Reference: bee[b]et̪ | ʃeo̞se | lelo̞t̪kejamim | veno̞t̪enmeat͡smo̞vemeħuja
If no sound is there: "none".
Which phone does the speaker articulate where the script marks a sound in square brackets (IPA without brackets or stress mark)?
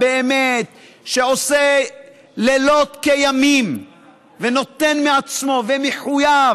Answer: m